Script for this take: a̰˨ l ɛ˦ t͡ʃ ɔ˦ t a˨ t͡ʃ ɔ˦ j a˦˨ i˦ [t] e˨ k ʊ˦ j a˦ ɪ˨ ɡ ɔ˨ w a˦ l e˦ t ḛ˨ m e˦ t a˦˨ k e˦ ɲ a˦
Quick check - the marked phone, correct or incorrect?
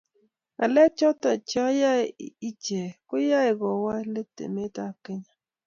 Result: incorrect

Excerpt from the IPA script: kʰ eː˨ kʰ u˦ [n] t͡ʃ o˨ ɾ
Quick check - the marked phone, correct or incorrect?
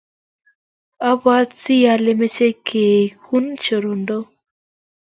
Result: correct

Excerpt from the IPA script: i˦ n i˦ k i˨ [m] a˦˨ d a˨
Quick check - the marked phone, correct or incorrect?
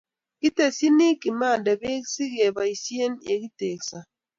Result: correct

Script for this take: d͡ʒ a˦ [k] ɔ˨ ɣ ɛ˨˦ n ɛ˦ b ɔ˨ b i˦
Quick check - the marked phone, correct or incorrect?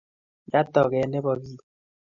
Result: incorrect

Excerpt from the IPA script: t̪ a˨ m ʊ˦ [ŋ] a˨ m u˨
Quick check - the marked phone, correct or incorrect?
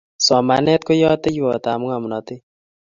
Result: correct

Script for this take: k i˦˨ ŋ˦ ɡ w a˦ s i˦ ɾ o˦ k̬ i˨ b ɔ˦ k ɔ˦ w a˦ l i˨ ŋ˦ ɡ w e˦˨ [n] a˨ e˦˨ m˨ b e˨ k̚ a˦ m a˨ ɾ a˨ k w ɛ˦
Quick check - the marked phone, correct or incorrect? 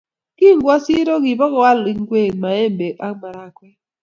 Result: incorrect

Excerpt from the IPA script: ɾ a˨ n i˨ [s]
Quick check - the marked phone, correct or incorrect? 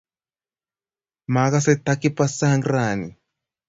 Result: incorrect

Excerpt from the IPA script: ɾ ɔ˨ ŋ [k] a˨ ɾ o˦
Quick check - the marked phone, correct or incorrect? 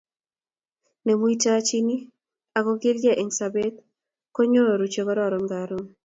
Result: incorrect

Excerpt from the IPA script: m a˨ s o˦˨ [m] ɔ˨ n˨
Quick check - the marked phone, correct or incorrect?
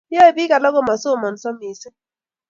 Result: correct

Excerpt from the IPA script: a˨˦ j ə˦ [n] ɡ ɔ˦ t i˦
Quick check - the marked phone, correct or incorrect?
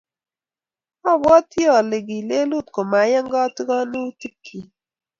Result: incorrect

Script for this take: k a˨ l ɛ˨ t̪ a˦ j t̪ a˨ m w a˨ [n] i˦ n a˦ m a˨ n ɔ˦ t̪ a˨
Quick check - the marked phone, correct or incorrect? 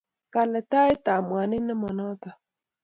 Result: correct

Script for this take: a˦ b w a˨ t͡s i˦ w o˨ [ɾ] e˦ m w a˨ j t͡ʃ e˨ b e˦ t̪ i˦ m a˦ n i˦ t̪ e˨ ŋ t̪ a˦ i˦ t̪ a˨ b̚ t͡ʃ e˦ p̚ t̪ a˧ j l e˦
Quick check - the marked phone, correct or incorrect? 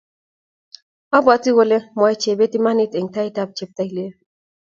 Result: incorrect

